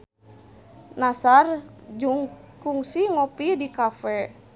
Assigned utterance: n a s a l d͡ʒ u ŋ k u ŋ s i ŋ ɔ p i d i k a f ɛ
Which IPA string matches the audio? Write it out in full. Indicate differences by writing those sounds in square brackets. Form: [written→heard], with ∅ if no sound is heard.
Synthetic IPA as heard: n a s a [l→r] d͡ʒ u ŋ k u ŋ s i ŋ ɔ p i d i k a f ɛ